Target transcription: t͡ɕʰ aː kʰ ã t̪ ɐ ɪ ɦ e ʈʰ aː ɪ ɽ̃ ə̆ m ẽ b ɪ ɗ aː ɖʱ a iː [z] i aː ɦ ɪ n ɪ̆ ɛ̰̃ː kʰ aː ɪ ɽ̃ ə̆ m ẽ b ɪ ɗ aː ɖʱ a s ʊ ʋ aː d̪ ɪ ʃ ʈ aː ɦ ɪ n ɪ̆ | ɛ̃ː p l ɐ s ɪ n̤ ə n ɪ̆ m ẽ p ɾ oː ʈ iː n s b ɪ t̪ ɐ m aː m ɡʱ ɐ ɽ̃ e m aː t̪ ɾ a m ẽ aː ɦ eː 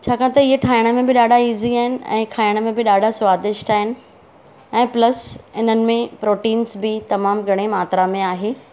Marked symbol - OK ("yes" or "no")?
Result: yes